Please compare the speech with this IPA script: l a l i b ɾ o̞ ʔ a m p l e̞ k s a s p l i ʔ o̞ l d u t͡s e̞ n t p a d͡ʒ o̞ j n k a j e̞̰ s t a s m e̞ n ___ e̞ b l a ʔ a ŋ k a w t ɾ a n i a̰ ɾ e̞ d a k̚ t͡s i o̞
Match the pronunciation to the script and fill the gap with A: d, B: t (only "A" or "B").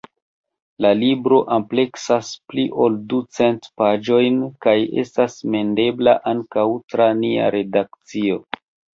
A